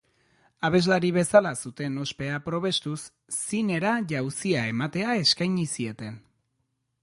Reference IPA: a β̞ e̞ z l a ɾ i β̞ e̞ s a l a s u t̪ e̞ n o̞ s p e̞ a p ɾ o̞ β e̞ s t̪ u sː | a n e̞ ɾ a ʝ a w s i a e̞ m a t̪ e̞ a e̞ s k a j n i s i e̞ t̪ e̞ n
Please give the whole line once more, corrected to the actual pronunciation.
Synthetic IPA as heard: a β̞ e̞ z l a ɾ i β̞ e̞ s a l a s u t̪ e̞ n o̞ s p e̞ a p ɾ o̞ β e̞ s t̪ u sː | i n e̞ ɾ a ʝ a w s i a e̞ m a t̪ e̞ a e̞ s k a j ɲ i s i e̞ t̪ e̞ n